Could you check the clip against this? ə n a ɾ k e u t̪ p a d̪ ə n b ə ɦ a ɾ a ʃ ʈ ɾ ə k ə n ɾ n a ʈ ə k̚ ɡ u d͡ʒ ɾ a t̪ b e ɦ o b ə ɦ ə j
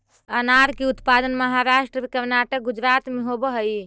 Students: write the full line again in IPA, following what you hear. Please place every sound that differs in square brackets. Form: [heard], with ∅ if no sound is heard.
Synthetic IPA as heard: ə n a ɾ k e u t̪ p a d̪ ə n [m] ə ɦ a ɾ a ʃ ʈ ɾ ə k ə [∅] ɾ n a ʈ ə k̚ ɡ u d͡ʒ ɾ a t̪ [m] e ɦ o b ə ɦ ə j